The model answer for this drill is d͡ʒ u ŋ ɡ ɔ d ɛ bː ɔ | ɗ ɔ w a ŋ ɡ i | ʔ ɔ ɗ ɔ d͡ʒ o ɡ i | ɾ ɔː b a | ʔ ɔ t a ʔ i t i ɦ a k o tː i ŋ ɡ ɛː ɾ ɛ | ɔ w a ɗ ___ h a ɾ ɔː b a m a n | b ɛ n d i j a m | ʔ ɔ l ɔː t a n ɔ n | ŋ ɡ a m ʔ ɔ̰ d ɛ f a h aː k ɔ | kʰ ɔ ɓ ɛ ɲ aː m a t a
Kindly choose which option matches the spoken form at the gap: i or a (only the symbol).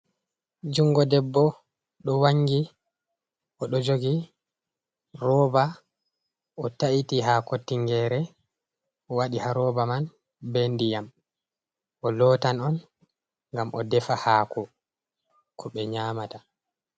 i